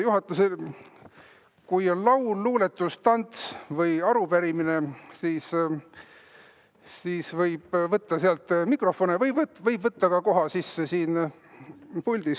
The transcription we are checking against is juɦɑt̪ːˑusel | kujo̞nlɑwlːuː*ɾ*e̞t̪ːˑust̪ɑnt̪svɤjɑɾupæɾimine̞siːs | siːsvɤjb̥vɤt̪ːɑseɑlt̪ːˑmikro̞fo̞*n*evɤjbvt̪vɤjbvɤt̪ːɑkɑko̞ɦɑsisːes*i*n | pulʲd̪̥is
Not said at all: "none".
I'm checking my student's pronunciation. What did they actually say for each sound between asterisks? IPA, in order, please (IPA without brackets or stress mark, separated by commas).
l, n, iː